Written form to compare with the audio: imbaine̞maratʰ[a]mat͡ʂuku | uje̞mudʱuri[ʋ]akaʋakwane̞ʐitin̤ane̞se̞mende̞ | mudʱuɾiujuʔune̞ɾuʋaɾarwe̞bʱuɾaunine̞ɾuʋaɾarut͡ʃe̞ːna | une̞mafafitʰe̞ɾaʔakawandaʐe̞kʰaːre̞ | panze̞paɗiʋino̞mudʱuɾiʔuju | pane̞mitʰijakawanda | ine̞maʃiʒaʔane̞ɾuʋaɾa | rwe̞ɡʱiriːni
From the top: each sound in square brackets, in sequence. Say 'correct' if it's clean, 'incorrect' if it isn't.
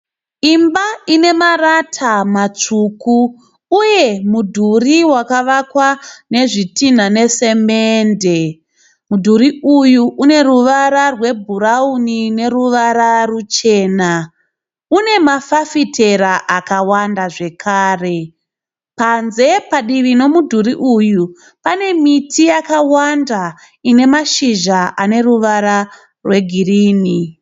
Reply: correct, incorrect

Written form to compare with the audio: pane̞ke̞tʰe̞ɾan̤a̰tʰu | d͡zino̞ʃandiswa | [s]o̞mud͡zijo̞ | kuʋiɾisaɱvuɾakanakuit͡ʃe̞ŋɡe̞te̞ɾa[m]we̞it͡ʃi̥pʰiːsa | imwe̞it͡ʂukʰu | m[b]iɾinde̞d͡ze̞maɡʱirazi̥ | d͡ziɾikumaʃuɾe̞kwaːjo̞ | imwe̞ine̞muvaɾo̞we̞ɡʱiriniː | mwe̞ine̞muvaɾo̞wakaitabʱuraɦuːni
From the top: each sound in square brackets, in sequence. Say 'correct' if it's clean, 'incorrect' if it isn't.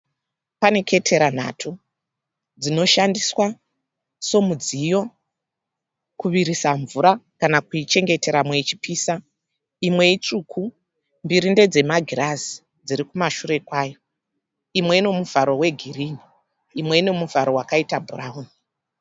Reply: correct, correct, correct

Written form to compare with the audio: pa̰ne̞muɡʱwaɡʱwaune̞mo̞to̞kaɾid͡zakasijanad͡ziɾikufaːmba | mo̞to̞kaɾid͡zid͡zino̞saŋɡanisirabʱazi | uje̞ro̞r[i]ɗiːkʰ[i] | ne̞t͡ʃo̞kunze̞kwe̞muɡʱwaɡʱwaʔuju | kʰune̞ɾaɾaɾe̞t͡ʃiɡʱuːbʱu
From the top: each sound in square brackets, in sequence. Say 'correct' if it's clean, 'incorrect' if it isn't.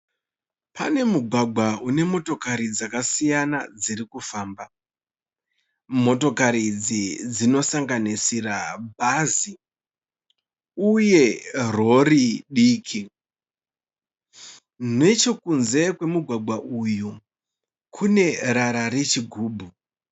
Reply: correct, correct

